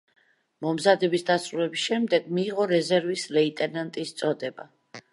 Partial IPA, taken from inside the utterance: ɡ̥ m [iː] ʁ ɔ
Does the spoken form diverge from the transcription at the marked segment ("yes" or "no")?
no